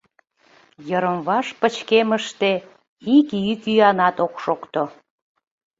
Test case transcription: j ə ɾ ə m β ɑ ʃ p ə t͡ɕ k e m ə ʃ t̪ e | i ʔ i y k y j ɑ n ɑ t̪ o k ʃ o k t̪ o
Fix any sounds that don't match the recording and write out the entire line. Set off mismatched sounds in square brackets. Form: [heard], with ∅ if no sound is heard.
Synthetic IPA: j ə ɾ ə m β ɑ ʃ p ə t͡ɕ k e m ə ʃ t̪ e | i [k] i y k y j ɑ n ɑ t̪ o k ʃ o k t̪ o